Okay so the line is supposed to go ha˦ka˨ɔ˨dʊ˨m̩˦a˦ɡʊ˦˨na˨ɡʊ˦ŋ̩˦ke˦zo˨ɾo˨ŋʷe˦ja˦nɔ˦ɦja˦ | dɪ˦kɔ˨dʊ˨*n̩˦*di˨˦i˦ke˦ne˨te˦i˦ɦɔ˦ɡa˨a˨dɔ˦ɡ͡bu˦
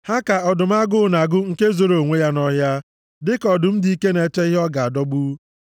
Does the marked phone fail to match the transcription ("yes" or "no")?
yes